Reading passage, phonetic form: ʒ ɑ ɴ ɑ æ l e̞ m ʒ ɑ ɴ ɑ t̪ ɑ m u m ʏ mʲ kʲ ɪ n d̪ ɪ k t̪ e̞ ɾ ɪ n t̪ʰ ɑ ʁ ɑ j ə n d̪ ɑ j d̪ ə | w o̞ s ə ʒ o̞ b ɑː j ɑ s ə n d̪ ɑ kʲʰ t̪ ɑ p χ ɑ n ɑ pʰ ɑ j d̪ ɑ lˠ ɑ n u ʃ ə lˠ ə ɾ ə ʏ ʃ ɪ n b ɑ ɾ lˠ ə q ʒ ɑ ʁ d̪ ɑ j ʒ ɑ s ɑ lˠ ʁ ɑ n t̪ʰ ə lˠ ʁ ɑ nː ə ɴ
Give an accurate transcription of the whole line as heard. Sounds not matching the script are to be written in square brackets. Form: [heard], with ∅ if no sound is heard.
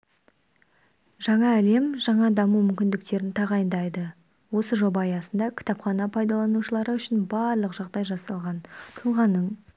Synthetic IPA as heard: ʒ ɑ ɴ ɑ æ l e̞ m ʒ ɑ ɴ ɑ [d̪] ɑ m u m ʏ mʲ kʲ ɪ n d̪ ɪ k t̪ e̞ ɾ ɪ n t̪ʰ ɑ ʁ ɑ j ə n d̪ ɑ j d̪ ə | w o̞ s ə ʒ o̞ b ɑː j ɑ s ə n d̪ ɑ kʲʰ t̪ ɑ p χ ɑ n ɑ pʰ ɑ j d̪ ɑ lˠ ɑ n u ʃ ə lˠ [ɑ] ɾ ə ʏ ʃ ɪ n b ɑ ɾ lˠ ə q ʒ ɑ ʁ d̪ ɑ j ʒ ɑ s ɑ lˠ ʁ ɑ n t̪ʰ ə lˠ ʁ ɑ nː ə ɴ

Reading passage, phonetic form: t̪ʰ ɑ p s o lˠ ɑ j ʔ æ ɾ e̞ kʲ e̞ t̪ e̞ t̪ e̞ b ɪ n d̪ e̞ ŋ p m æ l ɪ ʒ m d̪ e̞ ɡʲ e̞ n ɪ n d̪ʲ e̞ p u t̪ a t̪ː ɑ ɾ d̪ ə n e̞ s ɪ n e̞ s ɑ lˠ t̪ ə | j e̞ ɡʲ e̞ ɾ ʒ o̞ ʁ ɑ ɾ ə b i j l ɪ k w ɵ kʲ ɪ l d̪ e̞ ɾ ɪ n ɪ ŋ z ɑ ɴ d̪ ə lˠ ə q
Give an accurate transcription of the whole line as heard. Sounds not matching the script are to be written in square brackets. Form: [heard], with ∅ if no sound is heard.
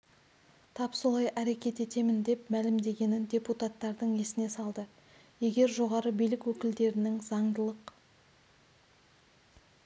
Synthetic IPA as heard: t̪ʰ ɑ p s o lˠ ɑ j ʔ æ ɾ e̞ kʲ e̞ t̪ e̞ t̪ e̞ [m] ɪ n d̪ e̞ [∅] p m æ l ɪ [∅] m d̪ e̞ ɡʲ e̞ n ɪ n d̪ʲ e̞ p u t̪ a t̪ː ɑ ɾ d̪ ə [ɴ] e̞ s ɪ n e̞ s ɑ lˠ [d̪] ə | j e̞ ɡʲ e̞ ɾ ʒ o̞ ʁ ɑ ɾ ə b i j l ɪ k w ɵ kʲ ɪ l d̪ e̞ ɾ ɪ n ɪ ŋ z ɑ ɴ d̪ ə lˠ ə q

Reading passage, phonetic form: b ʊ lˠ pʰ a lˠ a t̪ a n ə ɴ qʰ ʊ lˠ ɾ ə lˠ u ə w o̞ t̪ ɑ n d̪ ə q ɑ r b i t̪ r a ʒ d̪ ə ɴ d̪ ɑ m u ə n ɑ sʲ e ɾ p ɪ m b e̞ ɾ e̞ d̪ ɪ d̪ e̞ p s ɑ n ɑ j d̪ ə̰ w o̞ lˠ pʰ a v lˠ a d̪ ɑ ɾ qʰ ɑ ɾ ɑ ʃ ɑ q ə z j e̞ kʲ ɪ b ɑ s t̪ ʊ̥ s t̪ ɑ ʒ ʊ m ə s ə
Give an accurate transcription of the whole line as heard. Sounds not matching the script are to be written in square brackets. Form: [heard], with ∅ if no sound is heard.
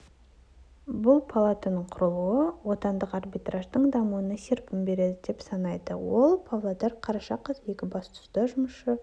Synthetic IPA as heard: b ʊ lˠ pʰ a lˠ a t̪ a n ə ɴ qʰ ʊ [∅] ɾ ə lˠ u ə w o̞ t̪ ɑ n d̪ ə q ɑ r b i t̪ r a ʒ d̪ ə ɴ d̪ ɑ m u ə n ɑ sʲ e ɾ p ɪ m b e̞ ɾ e̞ d̪ ɪ d̪ e̞ p s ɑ n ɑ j d̪ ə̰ w o̞ lˠ pʰ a v lˠ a d̪ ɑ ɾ qʰ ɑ ɾ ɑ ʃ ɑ q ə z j e̞ kʲ ɪ b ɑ s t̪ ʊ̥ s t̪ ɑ ʒ ʊ m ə [ʃ] ə

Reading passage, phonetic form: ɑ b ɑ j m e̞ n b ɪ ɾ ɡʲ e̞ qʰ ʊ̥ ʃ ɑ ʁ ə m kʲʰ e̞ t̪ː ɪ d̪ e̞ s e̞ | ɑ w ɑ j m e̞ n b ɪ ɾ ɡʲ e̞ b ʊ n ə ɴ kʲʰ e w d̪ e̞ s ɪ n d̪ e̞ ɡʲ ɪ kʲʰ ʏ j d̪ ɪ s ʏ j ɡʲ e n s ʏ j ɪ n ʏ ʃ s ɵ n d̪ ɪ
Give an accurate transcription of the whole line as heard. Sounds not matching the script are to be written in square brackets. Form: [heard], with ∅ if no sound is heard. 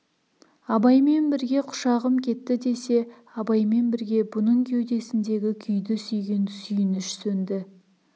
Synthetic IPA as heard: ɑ b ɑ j m e̞ n b ɪ ɾ ɡʲ e̞ qʰ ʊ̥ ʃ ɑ ʁ ə m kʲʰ e̞ t̪ː ɪ d̪ e̞ s e̞ | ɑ [b] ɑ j m e̞ n b ɪ ɾ ɡʲ e̞ b ʊ n ə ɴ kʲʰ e w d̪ e̞ s ɪ n d̪ e̞ ɡʲ ɪ kʲʰ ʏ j d̪ ɪ s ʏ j ɡʲ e n s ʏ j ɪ n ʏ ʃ s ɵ n d̪ ɪ

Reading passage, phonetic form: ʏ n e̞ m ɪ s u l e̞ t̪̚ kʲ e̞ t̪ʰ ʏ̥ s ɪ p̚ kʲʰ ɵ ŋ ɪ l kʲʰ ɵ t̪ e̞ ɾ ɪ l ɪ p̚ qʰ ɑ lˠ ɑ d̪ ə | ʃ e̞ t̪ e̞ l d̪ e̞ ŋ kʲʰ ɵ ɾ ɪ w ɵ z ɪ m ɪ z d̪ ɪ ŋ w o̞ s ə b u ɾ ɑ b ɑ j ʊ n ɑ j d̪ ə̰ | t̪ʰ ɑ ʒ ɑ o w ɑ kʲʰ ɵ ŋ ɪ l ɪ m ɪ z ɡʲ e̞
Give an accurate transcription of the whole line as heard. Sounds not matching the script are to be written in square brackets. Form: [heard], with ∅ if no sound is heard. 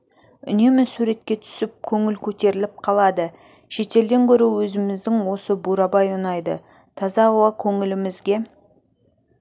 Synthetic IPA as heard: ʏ n e̞ m ɪ s u [ɾ] e̞ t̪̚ kʲ e̞ t̪ʰ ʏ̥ s ɪ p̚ kʲʰ ɵ ŋ ɪ l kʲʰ ɵ t̪ e̞ ɾ ɪ l ɪ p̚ qʰ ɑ lˠ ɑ d̪ ə | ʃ e̞ t̪ e̞ l d̪ e̞ ŋ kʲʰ ɵ ɾ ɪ w ɵ z ɪ m ɪ z d̪ ɪ ŋ w o̞ s ə b u ɾ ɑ b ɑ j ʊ n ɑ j d̪ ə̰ | t̪ʰ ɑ [z] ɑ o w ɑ kʲʰ ɵ ŋ ɪ l ɪ m ɪ z ɡʲ e̞

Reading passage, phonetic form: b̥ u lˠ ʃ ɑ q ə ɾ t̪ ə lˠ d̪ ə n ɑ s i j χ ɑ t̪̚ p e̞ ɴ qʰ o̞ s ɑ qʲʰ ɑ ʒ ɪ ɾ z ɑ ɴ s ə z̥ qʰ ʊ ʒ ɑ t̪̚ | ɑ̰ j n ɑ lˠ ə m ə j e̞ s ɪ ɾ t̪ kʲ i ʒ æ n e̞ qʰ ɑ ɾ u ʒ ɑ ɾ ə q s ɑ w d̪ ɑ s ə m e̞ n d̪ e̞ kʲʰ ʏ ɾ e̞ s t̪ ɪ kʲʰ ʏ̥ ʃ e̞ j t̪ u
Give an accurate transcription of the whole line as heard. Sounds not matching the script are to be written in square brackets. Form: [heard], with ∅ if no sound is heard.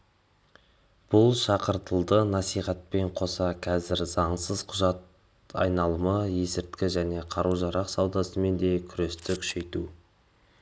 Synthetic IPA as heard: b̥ [ʊ] lˠ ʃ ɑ q ə ɾ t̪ ə lˠ d̪ ə n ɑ s i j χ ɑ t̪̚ p e̞ ɴ qʰ o̞ s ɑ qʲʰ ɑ [z] ɪ ɾ z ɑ ɴ s ə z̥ qʰ ʊ ʒ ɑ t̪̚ | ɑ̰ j n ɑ lˠ ə m ə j e̞ s ɪ ɾ t̪ kʲ [ɪ] ʒ æ n e̞ qʰ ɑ ɾ u ʒ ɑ ɾ [ɑ] q s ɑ w d̪ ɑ s ə m e̞ n d̪ e̞ kʲʰ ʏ ɾ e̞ s t̪ ɪ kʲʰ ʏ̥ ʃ e̞ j t̪ u

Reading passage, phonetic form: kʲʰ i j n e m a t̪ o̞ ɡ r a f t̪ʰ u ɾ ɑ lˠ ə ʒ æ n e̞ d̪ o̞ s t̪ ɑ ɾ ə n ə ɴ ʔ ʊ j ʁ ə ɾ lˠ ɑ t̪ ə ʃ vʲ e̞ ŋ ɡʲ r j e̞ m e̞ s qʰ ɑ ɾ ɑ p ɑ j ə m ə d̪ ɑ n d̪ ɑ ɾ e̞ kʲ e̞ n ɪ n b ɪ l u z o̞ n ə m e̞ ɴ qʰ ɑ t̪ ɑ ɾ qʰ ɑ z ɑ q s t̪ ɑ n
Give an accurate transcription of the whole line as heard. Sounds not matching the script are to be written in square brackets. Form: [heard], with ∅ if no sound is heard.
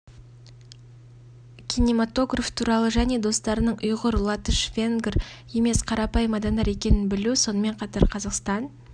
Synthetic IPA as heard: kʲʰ i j n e m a t̪ o̞ ɡ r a f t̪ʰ u ɾ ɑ lˠ ə ʒ æ n e̞ d̪ o̞ s t̪ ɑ ɾ ə n ə ɴ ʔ ʊ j ʁ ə ɾ lˠ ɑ t̪ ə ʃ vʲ e̞ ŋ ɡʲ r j e̞ m e̞ s qʰ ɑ ɾ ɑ p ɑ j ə m [ɑ] d̪ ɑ n d̪ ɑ ɾ e̞ kʲ e̞ n ɪ n b ɪ l u [s] o̞ n ə m e̞ ɴ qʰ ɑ t̪ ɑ ɾ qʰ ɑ z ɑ q s t̪ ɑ n

